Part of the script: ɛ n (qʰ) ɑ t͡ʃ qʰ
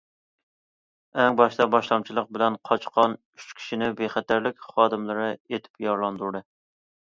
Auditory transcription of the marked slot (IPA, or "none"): qʰ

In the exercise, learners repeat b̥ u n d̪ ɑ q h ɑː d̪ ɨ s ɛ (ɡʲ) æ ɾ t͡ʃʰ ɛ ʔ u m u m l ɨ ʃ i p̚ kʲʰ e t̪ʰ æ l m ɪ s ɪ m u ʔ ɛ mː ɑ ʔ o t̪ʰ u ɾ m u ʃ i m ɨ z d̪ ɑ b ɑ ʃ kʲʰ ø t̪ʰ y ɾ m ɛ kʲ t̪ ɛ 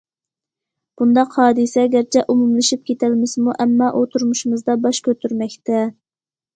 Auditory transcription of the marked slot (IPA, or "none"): ɡʲ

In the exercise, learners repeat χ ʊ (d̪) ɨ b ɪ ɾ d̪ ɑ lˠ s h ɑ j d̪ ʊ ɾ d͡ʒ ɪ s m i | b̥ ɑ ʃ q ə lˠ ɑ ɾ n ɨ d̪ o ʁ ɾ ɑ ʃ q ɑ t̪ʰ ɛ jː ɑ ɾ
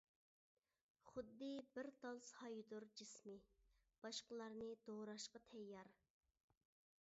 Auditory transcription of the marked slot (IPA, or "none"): d̪ː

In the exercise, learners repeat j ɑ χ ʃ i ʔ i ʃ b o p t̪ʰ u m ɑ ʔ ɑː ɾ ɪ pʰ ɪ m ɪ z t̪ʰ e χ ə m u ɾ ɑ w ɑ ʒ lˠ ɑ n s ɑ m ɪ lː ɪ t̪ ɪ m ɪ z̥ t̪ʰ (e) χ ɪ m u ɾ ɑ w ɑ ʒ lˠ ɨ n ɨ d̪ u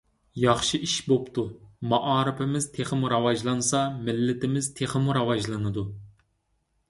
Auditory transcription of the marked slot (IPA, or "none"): e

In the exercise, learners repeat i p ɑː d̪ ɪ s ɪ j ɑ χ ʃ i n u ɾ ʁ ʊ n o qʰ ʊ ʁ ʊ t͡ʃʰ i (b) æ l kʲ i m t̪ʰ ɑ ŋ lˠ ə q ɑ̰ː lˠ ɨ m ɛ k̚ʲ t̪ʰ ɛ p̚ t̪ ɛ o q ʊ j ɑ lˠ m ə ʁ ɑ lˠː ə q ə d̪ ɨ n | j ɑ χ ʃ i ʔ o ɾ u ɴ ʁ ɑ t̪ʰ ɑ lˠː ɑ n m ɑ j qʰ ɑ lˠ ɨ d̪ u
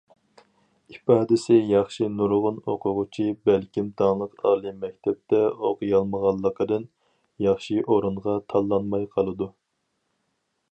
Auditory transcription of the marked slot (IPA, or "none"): b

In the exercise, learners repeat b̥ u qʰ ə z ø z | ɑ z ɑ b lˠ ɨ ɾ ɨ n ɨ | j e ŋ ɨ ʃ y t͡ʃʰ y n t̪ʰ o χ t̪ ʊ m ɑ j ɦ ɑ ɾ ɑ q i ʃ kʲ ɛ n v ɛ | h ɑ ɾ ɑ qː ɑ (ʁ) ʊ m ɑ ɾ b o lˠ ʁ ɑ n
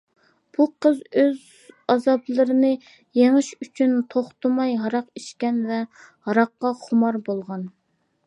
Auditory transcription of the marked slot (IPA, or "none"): χ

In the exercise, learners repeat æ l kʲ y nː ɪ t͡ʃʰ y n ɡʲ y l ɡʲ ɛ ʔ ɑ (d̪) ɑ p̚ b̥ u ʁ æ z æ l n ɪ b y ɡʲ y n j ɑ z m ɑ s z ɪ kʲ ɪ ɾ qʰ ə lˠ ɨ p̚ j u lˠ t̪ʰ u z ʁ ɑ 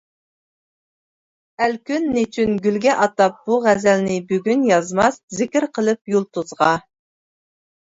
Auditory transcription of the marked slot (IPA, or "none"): t̪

